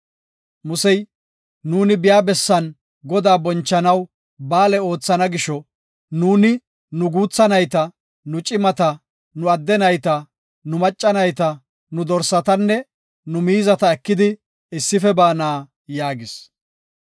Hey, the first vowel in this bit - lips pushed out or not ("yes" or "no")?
yes